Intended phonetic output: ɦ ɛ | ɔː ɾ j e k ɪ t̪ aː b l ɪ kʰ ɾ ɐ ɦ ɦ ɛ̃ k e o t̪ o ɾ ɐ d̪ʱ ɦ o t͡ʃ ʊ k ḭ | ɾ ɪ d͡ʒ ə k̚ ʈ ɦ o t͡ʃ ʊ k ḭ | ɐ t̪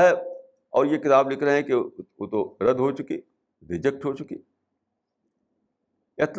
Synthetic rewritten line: ɦ ɛ | ɔː ɾ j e k ɪ t̪ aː b l ɪ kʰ ɾ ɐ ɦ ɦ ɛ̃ k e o t̪ o ɾ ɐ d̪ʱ ɦ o t͡ʃ ʊ k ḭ | ɾ ɪ d͡ʒ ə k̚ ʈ ɦ o t͡ʃ ʊ k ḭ | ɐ t̪